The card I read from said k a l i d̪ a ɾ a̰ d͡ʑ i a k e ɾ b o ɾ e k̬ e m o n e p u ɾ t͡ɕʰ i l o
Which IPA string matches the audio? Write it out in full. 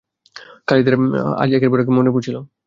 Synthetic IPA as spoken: k a l i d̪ e ɾ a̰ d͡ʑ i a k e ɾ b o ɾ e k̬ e m o n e p u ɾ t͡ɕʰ i l o